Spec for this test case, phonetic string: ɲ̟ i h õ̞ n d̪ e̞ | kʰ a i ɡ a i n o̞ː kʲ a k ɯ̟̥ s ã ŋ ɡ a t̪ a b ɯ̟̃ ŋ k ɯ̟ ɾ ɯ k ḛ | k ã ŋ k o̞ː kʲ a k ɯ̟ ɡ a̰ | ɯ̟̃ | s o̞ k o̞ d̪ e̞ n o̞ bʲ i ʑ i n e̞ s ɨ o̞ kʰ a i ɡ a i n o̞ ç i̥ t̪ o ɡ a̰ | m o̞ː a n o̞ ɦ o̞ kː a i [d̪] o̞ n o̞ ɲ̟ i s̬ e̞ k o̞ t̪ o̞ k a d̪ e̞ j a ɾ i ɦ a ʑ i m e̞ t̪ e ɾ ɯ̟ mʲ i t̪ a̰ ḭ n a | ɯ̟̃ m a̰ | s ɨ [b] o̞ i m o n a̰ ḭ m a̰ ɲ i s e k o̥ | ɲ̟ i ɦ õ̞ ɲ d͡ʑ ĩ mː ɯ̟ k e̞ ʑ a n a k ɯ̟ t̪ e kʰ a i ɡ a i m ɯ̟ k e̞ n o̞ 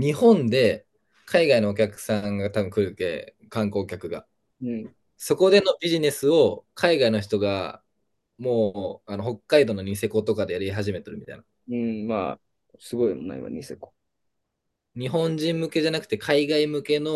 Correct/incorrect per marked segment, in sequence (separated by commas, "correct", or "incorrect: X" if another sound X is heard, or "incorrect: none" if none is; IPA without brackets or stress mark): correct, incorrect: ɡ